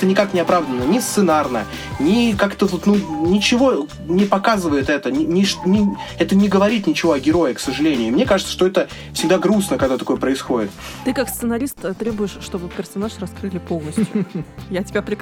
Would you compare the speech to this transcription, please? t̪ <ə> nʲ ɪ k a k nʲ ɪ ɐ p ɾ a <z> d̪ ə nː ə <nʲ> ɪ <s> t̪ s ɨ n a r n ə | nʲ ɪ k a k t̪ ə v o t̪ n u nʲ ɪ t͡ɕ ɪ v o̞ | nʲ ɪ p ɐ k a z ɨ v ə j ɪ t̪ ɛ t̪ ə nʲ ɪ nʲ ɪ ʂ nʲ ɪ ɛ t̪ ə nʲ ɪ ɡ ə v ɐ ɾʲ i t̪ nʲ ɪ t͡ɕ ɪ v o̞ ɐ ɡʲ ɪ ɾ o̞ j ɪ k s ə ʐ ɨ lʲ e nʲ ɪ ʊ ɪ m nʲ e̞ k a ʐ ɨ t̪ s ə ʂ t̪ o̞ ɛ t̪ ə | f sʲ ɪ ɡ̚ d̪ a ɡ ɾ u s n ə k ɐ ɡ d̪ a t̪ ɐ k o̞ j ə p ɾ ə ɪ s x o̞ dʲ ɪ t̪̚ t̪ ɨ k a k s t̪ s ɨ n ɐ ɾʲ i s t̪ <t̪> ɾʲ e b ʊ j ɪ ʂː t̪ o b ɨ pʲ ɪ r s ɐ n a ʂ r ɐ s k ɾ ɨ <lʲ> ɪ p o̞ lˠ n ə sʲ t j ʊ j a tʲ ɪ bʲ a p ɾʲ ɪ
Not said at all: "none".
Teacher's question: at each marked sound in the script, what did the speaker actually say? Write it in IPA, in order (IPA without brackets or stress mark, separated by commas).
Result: ə, v, nʲ, s, t̪, lʲ